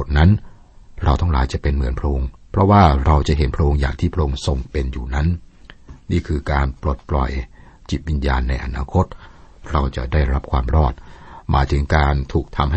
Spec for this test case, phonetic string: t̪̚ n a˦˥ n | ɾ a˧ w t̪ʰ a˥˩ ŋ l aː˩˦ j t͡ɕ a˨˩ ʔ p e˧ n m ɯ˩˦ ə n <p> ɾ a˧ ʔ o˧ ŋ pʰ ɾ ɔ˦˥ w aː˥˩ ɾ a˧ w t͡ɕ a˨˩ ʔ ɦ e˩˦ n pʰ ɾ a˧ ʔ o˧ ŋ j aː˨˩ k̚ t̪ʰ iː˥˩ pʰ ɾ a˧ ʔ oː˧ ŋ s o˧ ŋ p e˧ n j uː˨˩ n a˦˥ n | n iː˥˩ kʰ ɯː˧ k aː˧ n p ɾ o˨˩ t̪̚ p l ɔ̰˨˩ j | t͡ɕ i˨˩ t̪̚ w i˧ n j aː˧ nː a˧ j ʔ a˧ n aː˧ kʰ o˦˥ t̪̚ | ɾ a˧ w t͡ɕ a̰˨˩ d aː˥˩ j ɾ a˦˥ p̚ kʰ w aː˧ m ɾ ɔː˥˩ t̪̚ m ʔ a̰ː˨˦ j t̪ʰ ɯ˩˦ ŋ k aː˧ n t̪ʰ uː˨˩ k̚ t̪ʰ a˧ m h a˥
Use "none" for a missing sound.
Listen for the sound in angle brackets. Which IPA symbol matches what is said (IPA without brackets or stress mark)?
pʰ